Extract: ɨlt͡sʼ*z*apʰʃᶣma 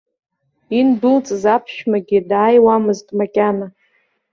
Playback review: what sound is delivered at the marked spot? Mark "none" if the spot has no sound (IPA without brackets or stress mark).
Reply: z